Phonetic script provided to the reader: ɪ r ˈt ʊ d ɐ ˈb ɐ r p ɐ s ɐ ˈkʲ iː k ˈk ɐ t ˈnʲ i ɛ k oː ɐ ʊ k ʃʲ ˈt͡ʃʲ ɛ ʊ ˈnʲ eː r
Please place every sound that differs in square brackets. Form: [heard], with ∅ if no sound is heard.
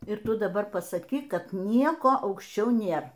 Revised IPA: ɪ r ˈt ʊ d ɐ ˈb ɐ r p ɐ s ɐ ˈkʲ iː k ˈk ɐ t ˈnʲ i ɛ k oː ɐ ʊ k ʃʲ ˈt͡ʃʲ ɛ ʊ ˈnʲ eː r